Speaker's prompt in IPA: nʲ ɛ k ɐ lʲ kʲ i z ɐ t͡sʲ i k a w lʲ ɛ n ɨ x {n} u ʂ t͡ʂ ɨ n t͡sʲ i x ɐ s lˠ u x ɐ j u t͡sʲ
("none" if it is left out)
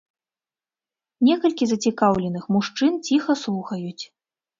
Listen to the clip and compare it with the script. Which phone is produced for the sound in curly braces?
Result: m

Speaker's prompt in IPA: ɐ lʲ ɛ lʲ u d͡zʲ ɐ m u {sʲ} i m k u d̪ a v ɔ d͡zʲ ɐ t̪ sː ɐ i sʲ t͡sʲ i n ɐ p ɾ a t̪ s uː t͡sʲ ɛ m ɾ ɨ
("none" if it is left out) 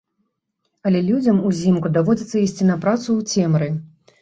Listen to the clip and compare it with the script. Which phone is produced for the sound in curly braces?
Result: zʲ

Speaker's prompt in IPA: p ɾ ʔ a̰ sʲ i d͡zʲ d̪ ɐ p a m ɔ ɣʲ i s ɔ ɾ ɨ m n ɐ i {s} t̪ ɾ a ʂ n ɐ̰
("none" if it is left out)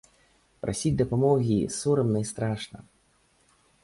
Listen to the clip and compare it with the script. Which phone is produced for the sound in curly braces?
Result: s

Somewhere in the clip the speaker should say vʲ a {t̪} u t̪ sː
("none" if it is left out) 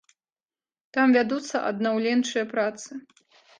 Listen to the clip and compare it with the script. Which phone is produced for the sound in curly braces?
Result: d̪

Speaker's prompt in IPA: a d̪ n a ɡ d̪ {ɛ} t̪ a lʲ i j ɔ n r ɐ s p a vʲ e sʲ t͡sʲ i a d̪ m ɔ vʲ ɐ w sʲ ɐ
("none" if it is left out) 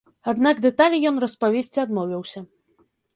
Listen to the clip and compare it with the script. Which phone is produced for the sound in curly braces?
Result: ɛ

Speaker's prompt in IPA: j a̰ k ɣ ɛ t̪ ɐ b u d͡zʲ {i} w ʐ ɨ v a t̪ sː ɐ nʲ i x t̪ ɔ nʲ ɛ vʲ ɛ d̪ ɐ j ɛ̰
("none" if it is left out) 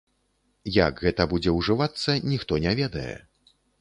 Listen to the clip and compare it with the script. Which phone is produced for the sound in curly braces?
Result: ɛ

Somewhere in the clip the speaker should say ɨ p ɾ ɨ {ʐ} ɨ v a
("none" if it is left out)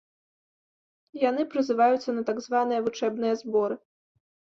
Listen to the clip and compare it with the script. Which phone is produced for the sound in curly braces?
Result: z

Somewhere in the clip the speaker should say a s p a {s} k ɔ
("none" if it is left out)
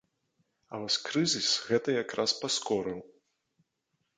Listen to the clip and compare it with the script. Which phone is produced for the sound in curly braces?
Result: s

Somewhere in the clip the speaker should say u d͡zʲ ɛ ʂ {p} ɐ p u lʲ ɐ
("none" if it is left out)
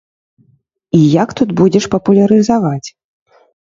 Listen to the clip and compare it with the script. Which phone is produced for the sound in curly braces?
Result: p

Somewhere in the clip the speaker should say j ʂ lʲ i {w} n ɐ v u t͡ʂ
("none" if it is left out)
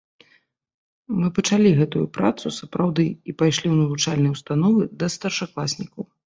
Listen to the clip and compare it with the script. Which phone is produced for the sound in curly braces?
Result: w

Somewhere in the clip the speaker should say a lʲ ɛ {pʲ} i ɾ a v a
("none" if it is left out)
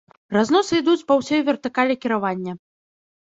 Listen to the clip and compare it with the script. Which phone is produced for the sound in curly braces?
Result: kʲ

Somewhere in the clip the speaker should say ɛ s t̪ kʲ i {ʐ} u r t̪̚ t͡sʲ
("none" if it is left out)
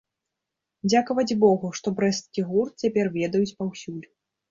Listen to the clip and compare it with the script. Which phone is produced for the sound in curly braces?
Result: ɣ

